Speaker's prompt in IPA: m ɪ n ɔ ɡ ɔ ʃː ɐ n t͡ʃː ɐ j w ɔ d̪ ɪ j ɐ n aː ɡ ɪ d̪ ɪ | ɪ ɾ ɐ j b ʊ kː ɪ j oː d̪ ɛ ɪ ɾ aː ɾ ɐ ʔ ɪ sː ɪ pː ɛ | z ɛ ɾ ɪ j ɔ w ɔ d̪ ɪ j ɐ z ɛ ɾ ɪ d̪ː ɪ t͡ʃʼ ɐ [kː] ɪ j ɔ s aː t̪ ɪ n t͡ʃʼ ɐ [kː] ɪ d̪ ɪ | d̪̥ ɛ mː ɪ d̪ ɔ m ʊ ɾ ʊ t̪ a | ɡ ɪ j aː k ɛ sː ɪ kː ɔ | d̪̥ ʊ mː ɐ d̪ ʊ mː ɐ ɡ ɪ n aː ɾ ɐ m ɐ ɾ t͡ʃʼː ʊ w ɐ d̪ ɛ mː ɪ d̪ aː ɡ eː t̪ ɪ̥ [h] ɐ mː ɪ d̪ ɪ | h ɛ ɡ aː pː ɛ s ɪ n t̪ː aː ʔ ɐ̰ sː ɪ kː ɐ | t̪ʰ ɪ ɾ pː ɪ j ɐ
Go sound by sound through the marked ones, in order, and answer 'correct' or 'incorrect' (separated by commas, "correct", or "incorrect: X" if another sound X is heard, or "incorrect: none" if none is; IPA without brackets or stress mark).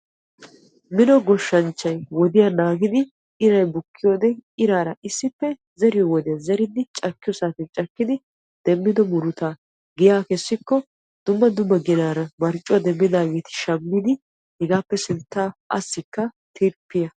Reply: correct, correct, incorrect: ʃ